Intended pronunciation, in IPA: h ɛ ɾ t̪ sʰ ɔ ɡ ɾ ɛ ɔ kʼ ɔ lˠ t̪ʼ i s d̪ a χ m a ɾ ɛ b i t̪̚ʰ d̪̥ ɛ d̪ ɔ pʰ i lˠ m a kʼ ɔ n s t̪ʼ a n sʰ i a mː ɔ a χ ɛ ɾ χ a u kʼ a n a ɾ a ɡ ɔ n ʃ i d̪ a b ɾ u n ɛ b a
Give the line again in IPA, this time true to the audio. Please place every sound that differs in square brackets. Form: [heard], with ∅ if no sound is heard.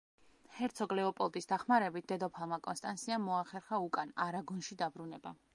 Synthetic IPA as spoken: h ɛ ɾ t̪ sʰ ɔ ɡ [l] ɛ ɔ [pʼ] ɔ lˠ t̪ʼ i s d̪ a χ m a ɾ ɛ b i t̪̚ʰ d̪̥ ɛ d̪ ɔ pʰ [a] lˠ m a kʼ ɔ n s t̪ʼ a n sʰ i a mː ɔ a χ ɛ ɾ χ a u kʼ a n a ɾ a ɡ ɔ n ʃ i d̪ a b ɾ u n ɛ b a